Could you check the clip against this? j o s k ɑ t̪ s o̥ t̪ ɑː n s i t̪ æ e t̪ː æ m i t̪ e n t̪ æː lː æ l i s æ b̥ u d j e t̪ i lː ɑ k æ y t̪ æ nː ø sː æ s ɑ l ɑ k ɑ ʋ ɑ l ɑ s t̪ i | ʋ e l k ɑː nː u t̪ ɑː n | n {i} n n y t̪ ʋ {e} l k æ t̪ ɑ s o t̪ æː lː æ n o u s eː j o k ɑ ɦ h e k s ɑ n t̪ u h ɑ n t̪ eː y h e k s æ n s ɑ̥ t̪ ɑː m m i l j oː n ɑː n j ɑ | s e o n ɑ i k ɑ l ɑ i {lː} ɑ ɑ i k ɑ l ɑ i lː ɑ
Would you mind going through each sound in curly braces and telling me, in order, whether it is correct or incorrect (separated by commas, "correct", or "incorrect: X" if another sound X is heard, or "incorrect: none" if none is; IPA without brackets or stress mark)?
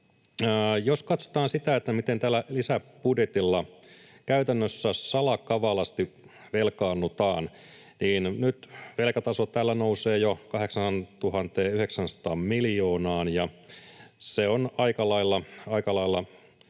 incorrect: iː, correct, correct